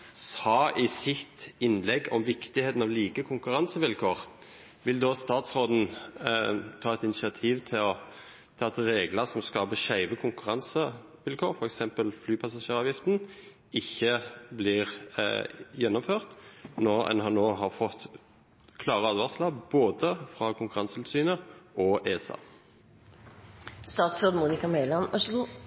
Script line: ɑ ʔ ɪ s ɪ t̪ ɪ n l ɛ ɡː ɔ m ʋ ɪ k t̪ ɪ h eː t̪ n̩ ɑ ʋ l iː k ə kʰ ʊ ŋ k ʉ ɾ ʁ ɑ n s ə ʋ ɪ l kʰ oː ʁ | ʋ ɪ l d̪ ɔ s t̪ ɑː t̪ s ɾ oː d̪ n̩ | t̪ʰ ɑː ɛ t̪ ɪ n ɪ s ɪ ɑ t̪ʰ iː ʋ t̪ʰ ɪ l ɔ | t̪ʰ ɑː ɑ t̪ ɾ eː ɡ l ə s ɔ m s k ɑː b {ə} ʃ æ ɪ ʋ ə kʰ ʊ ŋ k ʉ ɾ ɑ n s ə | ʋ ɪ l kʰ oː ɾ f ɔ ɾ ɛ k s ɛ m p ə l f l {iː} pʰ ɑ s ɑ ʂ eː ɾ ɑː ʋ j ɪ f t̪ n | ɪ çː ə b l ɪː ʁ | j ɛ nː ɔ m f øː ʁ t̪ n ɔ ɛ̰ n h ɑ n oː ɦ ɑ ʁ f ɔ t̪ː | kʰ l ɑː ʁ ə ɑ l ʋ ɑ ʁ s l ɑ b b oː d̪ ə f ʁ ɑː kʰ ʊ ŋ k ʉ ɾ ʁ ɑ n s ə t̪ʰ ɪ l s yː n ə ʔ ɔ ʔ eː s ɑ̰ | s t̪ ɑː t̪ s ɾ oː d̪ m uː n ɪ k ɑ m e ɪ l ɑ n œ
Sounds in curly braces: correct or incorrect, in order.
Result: correct, incorrect

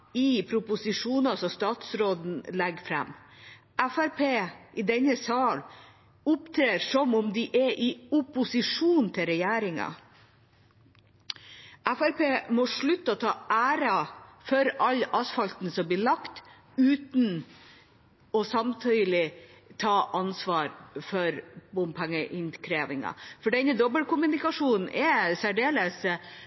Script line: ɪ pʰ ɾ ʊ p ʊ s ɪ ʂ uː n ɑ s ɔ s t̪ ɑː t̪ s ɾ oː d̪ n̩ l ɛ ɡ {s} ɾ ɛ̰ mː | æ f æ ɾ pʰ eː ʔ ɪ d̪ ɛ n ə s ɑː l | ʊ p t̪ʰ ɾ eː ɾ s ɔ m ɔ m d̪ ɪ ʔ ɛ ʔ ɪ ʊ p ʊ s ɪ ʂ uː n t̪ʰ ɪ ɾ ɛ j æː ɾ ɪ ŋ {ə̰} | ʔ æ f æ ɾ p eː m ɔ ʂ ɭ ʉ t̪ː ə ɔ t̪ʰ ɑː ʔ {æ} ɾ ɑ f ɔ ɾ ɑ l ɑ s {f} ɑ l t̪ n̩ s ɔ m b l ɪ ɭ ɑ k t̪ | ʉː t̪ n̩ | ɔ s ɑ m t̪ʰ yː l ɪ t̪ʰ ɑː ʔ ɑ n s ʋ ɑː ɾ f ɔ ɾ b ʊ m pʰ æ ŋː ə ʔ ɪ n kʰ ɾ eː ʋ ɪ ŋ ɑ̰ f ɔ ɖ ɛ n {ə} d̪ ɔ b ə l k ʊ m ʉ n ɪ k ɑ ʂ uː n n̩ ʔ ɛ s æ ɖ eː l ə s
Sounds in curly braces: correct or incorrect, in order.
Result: incorrect, incorrect, incorrect, correct, correct

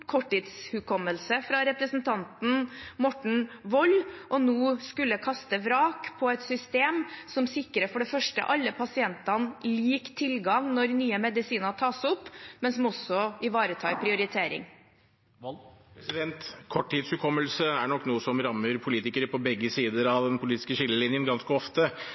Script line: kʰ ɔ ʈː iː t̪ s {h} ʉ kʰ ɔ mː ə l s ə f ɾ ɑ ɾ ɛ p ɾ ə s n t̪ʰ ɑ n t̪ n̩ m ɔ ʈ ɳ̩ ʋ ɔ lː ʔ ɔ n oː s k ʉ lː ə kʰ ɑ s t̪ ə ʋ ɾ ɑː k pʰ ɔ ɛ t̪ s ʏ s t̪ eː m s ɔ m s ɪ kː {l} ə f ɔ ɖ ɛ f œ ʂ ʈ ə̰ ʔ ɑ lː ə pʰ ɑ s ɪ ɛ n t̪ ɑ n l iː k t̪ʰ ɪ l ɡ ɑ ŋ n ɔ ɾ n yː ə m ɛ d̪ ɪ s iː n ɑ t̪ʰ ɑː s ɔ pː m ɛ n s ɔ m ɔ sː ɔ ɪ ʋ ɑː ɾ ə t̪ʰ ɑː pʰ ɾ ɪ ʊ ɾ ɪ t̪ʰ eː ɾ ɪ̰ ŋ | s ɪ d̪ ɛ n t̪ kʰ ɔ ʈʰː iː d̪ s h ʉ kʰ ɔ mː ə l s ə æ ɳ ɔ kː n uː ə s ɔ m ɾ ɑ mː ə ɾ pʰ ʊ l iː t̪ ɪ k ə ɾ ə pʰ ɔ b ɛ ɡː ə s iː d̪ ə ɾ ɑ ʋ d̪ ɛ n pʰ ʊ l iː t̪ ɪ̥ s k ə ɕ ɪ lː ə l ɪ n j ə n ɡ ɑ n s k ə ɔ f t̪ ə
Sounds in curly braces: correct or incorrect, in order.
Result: correct, incorrect

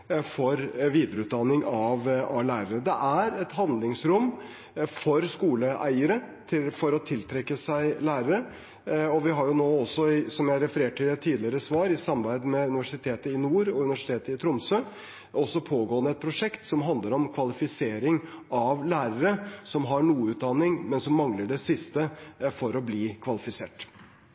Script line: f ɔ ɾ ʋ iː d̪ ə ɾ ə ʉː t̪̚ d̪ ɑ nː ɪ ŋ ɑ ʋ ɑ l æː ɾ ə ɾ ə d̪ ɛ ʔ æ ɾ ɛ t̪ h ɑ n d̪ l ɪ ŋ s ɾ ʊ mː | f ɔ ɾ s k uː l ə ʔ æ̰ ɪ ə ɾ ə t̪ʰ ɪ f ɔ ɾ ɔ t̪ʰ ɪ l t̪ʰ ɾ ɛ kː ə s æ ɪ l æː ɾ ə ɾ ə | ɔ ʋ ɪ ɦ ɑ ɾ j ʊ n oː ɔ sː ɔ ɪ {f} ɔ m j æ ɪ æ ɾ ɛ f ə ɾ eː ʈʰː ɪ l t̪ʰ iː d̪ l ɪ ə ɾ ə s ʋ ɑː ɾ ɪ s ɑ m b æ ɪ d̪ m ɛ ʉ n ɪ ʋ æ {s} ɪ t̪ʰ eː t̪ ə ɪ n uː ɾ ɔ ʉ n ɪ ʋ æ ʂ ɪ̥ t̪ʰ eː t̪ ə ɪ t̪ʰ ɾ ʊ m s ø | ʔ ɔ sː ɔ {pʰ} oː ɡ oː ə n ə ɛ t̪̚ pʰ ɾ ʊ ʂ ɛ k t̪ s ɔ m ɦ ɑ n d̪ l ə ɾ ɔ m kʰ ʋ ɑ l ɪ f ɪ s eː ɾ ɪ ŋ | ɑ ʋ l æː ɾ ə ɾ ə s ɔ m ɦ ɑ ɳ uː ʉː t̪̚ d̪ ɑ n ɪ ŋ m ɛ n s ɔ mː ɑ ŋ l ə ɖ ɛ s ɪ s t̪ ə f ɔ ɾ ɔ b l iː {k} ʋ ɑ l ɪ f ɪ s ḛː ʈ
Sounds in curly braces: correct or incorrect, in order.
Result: incorrect, incorrect, correct, incorrect

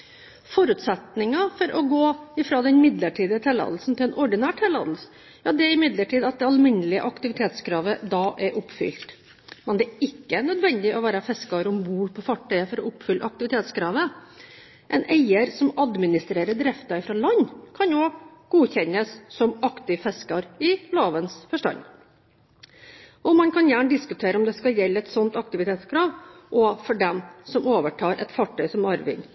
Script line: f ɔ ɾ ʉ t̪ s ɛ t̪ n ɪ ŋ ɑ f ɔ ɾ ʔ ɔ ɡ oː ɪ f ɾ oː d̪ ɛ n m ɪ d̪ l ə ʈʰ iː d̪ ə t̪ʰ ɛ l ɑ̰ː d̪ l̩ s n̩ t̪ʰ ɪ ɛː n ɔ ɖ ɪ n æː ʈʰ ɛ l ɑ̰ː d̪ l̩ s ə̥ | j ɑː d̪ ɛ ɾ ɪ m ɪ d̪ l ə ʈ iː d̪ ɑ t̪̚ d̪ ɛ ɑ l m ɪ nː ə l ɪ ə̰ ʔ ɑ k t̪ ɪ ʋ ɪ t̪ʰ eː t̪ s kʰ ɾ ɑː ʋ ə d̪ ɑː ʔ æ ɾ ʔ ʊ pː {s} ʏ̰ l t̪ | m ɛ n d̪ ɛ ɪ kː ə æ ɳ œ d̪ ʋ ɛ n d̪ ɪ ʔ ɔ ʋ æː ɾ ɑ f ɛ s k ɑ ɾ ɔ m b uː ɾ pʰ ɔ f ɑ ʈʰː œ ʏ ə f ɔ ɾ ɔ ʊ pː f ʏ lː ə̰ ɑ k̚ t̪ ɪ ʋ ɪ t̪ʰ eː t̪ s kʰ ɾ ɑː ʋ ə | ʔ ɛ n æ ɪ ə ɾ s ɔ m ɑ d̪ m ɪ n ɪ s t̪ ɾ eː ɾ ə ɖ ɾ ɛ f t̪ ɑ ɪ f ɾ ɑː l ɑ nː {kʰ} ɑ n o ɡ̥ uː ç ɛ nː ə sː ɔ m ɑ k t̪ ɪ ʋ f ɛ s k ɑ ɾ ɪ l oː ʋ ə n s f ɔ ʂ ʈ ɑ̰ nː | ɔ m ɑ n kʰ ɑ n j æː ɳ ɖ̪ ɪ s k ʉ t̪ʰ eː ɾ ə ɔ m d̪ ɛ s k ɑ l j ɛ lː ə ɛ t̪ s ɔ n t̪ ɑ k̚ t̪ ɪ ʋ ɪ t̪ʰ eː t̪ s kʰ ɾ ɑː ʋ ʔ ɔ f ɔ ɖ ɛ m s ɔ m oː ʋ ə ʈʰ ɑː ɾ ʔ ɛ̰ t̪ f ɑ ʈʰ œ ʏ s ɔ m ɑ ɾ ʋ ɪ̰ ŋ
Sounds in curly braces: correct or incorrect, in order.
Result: incorrect, correct

